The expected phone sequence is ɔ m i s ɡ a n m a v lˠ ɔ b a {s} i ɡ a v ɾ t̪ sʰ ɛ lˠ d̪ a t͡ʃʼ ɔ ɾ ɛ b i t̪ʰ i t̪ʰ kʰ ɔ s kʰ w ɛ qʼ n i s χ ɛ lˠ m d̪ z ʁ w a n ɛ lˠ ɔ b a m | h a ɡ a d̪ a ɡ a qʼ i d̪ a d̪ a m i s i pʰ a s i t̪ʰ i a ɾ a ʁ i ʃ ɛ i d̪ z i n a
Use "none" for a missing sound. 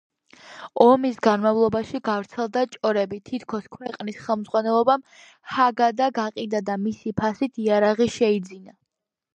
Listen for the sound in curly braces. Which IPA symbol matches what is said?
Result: ʃ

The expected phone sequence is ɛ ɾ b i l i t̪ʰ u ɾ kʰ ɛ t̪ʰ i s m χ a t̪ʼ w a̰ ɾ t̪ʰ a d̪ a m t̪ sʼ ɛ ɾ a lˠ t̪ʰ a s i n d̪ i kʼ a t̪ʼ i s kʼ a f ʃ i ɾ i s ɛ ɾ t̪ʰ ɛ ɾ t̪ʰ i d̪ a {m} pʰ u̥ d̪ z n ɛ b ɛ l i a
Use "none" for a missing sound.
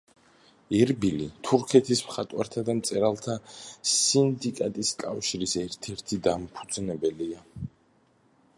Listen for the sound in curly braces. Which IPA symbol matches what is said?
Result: m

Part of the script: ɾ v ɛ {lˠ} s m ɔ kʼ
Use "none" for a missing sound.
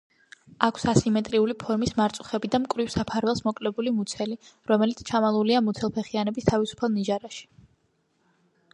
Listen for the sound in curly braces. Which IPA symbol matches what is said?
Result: lˠ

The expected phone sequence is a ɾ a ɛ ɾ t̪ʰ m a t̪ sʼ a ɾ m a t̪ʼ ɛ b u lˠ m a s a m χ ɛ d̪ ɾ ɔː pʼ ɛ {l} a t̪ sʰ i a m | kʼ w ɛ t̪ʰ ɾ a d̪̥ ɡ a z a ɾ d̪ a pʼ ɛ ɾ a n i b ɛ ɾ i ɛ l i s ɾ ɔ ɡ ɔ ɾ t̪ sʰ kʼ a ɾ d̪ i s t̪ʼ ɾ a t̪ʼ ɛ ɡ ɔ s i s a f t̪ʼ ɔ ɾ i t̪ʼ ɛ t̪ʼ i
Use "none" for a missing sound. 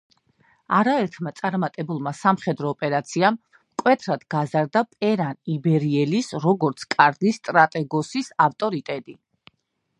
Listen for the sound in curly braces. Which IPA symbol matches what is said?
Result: ɾ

